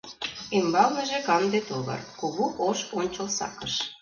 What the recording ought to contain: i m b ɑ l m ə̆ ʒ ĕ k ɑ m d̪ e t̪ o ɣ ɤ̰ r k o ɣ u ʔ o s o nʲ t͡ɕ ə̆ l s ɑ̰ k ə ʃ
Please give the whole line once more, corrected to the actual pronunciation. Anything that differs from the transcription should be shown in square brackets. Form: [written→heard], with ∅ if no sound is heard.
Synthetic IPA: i m b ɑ l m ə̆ ʒ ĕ k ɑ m d̪ e t̪ o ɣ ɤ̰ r k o ɣ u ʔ o [s→ʃ] o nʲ t͡ɕ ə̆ l s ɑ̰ k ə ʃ